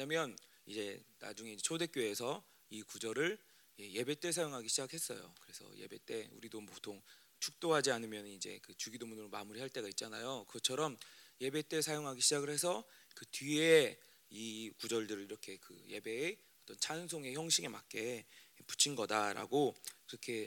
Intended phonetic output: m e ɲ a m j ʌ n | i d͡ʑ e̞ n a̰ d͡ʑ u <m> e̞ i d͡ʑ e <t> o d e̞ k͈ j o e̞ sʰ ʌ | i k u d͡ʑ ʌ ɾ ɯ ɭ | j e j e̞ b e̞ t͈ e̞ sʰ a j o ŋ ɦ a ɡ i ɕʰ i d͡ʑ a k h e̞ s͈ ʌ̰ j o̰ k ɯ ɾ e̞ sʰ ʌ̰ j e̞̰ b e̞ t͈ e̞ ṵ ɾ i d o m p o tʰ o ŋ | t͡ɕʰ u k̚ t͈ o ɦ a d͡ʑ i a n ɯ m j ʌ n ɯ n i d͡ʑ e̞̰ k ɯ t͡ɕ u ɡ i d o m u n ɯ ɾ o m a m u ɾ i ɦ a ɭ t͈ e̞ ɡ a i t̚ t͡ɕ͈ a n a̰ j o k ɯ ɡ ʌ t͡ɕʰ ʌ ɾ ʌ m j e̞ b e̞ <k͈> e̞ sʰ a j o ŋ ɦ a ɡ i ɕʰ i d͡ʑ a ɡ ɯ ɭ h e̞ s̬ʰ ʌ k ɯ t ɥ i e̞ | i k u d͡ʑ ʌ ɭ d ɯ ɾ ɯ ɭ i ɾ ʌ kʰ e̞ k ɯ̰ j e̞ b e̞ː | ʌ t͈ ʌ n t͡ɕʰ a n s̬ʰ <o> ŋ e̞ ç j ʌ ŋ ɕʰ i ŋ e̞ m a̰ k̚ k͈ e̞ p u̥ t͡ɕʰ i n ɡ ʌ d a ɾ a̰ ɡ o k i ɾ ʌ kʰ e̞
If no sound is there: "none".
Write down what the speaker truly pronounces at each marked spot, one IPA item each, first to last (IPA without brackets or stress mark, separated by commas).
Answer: ŋ, t͡ɕʰ, t͈, o